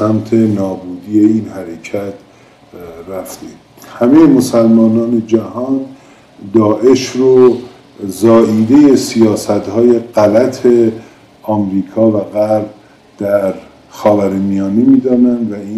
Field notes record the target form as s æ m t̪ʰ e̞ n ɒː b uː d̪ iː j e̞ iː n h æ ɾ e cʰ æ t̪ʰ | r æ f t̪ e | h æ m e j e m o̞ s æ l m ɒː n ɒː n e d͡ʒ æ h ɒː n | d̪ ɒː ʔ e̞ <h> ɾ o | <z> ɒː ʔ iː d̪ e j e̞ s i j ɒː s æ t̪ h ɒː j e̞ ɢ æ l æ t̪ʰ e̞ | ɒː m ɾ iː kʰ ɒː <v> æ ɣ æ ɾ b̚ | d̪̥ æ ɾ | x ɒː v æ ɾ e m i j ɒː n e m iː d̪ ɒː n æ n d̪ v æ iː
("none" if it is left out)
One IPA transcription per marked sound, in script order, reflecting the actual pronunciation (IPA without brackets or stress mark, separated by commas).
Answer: ʃ, z, v